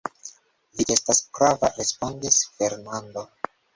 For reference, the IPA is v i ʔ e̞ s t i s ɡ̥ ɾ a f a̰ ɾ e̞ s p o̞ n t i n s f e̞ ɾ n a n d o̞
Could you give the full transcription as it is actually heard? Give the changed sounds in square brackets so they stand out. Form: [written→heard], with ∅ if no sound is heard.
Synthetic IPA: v i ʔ e̞ s t [i→a] s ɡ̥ ɾ a [f→v] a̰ ɾ e̞ s p o̞ n [t→d] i [n→∅] s f e̞ ɾ n a n d o̞